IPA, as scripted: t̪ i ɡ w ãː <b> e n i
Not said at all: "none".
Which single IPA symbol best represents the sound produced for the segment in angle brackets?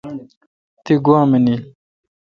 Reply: m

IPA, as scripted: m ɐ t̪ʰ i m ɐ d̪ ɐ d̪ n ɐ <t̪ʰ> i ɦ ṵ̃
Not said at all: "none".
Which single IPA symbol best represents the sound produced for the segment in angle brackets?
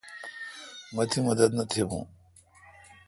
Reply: t̪ʰ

